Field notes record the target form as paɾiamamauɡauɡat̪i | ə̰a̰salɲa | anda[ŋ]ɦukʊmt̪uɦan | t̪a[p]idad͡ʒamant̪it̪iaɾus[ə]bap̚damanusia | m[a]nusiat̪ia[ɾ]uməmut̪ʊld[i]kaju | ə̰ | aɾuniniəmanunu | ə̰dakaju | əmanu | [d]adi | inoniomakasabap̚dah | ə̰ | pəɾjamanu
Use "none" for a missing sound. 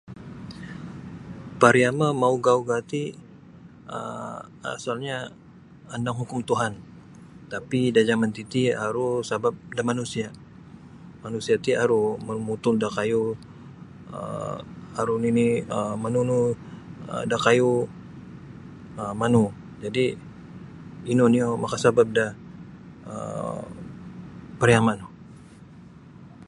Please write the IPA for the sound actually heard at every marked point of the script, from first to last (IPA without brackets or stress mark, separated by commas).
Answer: ŋ, p, a, a, ɾ, a, d͡ʒ